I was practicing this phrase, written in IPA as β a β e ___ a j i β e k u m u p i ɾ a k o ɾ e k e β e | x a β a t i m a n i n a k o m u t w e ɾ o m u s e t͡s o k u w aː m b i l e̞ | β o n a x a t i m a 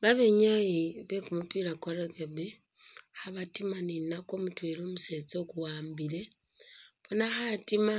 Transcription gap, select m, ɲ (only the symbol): ɲ